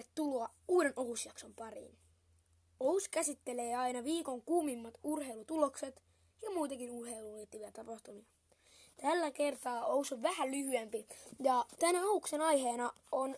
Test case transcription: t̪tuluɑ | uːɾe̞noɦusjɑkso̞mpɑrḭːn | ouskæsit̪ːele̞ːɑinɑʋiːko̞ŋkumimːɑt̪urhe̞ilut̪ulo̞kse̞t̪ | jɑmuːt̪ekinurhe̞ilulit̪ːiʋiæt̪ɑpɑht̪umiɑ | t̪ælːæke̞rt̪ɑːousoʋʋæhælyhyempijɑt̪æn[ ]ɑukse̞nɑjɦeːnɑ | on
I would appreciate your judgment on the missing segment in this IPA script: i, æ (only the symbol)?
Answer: æ